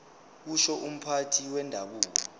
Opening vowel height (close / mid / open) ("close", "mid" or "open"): close